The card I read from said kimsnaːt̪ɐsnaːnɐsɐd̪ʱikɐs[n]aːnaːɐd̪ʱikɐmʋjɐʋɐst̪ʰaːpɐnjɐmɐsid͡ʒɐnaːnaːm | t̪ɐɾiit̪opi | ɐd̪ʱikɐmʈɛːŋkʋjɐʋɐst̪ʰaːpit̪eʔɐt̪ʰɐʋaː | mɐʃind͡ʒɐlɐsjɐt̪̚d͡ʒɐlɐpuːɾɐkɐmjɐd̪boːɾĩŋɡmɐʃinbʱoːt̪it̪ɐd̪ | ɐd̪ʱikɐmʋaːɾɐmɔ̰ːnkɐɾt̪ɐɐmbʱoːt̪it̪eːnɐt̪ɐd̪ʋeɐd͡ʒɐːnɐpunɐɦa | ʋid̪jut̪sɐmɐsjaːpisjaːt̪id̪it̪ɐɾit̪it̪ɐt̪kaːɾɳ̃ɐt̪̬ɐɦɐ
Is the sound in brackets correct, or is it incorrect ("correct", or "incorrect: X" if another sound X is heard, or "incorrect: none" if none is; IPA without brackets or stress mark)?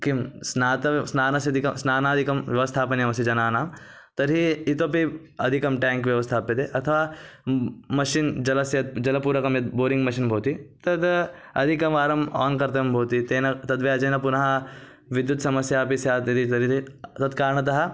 correct